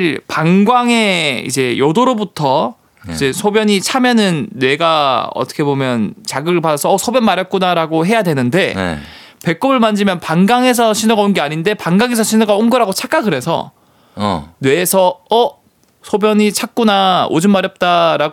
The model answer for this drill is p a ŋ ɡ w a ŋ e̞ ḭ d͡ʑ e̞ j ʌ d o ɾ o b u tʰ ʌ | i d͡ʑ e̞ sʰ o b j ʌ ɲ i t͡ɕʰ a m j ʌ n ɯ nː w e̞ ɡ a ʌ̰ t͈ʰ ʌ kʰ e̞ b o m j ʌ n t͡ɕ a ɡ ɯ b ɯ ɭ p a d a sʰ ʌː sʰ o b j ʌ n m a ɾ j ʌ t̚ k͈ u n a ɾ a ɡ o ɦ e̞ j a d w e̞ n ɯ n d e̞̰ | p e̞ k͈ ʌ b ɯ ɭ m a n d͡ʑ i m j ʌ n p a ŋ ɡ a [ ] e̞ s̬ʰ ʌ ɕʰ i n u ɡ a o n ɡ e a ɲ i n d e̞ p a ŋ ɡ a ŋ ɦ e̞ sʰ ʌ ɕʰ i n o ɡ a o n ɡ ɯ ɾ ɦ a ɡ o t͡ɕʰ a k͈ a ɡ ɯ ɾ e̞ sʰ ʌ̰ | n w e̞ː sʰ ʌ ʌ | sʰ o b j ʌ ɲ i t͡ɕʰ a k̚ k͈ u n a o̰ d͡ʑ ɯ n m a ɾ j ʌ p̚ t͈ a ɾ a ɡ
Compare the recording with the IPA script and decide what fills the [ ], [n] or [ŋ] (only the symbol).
ŋ